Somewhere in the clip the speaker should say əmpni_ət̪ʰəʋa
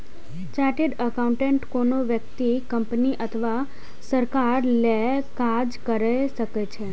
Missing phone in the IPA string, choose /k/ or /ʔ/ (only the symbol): ʔ